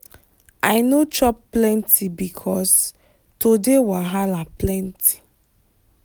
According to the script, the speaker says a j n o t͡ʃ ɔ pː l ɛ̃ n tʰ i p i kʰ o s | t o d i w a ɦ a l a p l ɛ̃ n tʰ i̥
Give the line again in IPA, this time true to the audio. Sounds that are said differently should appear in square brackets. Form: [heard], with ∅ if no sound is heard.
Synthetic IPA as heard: a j n o t͡ʃ ɔ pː l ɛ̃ n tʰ i [b] i kʰ [ɔ] s | t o d [e] w a ɦ a l a p l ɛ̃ n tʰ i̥